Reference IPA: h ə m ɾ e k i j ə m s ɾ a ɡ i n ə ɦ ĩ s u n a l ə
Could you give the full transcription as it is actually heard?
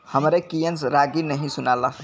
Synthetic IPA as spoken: h ə m ɾ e k i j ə n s ɾ a ɡ i n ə ɦ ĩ s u n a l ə